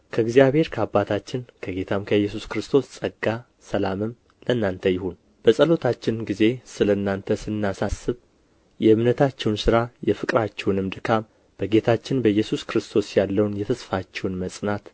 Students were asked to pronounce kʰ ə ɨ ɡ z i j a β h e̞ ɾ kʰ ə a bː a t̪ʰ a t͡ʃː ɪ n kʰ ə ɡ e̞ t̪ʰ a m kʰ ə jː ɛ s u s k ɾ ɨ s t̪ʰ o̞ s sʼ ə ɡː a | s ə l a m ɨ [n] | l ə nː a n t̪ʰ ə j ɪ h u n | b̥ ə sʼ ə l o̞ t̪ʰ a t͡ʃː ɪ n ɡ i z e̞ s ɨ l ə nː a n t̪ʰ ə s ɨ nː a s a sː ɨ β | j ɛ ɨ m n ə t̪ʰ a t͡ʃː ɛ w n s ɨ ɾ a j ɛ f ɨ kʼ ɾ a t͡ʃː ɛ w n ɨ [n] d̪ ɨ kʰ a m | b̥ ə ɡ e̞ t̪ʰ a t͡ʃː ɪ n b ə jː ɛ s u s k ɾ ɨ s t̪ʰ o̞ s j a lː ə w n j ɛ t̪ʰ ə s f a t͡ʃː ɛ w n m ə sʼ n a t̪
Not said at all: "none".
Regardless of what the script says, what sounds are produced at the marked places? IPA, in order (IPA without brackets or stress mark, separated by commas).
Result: m, m